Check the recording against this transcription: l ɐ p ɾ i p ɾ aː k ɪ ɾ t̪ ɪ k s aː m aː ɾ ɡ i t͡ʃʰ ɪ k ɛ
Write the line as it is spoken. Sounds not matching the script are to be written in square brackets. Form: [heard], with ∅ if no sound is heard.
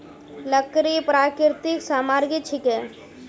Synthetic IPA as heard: l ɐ [k] ɾ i p ɾ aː k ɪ ɾ t̪ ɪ k s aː m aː ɾ ɡ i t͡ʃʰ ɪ k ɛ